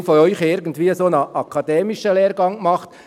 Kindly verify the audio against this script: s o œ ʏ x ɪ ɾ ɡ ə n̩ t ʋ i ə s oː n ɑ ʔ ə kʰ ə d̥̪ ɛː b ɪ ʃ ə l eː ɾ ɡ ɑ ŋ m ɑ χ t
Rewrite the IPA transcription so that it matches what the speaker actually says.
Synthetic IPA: f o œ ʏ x ɪ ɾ ɡ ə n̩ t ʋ iː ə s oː n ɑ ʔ ɑ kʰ ɑ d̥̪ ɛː m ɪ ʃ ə l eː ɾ ɡ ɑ ŋ m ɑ χ t